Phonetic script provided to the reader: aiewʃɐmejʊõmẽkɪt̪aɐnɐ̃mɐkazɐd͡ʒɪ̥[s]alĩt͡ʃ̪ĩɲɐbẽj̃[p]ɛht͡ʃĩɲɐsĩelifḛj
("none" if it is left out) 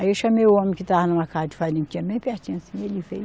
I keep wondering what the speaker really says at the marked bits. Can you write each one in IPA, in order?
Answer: f, p

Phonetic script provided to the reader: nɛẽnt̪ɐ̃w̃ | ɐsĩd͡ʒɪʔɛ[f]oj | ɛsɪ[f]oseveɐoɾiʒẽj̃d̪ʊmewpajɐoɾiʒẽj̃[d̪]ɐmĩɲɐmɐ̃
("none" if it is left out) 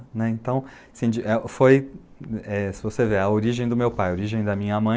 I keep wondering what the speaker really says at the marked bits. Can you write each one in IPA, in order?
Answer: f, v, d̪

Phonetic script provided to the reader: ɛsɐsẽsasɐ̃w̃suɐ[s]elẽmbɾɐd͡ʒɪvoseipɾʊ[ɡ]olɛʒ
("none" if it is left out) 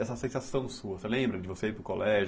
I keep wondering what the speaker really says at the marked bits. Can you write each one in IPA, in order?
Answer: s, k

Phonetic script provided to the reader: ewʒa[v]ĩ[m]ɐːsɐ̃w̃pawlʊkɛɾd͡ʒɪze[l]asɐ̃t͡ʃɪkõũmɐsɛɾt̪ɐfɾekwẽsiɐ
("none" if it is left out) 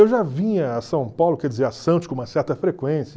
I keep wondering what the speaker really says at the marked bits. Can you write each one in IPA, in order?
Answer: v, ɲ, ɾ

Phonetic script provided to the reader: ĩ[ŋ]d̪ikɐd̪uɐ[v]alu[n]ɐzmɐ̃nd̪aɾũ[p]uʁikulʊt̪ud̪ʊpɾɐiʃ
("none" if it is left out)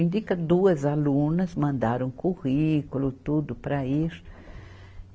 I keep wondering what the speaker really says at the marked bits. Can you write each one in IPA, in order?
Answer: n, z, n, k

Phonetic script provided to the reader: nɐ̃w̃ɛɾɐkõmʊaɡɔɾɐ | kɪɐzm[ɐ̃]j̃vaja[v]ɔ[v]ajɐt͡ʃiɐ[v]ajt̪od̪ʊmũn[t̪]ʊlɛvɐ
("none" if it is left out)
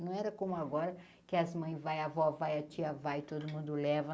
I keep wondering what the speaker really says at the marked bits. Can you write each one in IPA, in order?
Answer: ɐ̃, v, v, v, d̪

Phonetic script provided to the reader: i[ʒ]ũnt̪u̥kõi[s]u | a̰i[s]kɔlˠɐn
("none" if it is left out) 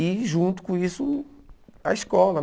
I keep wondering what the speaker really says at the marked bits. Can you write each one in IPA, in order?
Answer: ʒ, s, ʃ

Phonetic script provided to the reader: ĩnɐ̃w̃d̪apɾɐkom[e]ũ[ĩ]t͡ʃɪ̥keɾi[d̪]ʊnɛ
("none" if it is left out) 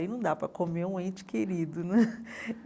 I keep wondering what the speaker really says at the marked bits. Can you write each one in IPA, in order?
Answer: e, ẽ, d̪

